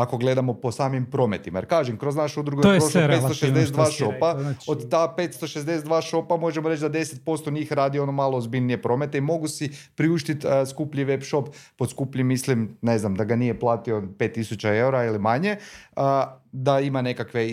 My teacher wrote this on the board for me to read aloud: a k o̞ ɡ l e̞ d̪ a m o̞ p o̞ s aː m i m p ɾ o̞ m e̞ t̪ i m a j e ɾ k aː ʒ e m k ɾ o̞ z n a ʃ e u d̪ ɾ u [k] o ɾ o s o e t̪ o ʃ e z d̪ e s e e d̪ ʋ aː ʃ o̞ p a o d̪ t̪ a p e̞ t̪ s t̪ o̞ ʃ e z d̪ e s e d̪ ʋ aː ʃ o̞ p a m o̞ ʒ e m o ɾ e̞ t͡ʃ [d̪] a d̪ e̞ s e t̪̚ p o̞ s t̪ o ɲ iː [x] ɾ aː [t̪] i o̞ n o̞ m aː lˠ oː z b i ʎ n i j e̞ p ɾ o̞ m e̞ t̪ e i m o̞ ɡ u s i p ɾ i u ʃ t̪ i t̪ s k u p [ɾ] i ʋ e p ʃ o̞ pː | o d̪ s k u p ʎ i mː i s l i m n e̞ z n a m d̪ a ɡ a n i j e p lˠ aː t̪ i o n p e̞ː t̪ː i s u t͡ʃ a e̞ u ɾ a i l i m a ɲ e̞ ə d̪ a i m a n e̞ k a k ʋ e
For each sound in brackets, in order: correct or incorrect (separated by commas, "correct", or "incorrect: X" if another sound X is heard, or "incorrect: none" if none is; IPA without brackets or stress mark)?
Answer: incorrect: ɡ, correct, correct, incorrect: d̪, incorrect: ʎ